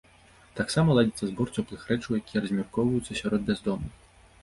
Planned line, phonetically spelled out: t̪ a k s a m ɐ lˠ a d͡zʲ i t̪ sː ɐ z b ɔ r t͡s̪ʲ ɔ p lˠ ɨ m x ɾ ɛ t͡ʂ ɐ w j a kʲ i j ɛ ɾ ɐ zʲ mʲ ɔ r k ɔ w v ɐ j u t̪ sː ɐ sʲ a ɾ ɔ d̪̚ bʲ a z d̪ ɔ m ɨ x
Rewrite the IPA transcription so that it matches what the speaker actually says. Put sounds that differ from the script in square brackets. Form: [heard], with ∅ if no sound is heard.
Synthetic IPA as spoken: t̪ a k s a m ɐ lˠ a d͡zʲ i t̪ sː ɐ z b ɔ r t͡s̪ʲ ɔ p lˠ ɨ [∅] x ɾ ɛ t͡ʂ ɐ w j a kʲ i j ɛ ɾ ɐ zʲ mʲ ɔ r k ɔ w v ɐ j u t̪ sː ɐ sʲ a ɾ ɔ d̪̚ bʲ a z d̪ ɔ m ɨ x